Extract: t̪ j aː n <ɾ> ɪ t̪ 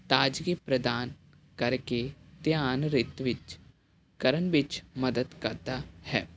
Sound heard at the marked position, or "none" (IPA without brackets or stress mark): ɾ